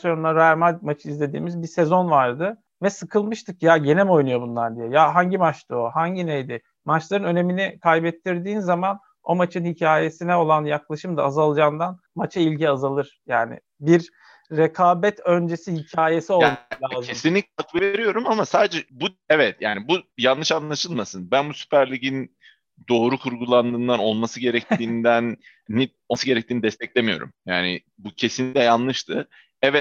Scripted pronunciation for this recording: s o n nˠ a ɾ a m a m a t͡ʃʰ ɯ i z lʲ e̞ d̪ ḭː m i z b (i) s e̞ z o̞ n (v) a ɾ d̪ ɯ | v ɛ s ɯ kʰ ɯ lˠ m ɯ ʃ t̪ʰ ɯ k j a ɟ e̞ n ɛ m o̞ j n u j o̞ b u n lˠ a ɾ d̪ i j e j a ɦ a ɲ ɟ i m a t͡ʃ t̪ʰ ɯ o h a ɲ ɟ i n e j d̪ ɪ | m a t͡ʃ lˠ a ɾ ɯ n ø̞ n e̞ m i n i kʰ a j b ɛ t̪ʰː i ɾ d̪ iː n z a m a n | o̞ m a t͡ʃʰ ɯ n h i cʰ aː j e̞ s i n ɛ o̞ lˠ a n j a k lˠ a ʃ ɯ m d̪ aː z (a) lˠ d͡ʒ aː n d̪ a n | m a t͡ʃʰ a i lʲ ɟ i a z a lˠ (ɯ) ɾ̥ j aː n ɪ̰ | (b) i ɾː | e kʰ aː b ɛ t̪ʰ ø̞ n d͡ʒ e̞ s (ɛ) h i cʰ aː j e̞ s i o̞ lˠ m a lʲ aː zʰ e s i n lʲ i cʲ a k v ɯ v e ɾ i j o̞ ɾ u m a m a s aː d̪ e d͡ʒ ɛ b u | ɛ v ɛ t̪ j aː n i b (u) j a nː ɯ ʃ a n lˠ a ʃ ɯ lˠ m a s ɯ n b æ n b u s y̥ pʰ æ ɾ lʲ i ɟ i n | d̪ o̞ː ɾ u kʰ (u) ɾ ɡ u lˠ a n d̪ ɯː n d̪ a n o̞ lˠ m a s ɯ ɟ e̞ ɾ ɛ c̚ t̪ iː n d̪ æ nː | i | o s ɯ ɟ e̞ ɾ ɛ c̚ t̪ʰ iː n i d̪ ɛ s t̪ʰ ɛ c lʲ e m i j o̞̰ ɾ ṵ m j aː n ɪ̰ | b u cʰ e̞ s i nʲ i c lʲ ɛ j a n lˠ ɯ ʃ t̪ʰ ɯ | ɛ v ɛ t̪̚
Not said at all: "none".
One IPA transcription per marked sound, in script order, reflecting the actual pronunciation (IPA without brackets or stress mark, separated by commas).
i, v, a, ɯ, b, i, u, u